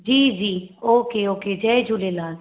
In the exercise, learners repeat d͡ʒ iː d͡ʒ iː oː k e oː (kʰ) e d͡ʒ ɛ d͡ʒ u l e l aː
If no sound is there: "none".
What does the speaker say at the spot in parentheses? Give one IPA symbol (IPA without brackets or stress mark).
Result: k